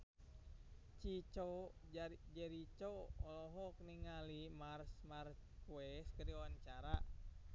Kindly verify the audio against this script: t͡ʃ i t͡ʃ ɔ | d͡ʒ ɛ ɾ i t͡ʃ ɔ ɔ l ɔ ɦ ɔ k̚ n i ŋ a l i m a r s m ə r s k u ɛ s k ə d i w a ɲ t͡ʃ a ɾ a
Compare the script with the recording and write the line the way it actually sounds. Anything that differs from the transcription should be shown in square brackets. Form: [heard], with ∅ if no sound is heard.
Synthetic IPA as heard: t͡ʃ i t͡ʃ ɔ | d͡ʒ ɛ ɾ i t͡ʃ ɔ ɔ l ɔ ɦ ɔ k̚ n i ŋ a l i m a r s m [a] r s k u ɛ s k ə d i w a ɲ t͡ʃ a ɾ a